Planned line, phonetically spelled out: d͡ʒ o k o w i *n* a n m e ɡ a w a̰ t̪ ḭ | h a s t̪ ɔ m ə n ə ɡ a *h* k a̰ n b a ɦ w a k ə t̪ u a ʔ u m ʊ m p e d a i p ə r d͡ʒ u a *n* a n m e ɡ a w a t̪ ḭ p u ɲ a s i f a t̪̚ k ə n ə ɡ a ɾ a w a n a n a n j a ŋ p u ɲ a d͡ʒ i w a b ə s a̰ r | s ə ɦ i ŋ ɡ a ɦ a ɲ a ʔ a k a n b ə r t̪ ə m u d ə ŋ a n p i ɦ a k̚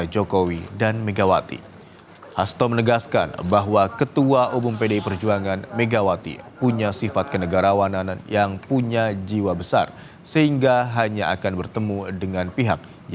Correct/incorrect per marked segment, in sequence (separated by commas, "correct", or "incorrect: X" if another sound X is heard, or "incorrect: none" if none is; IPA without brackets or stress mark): incorrect: d, incorrect: s, incorrect: ŋ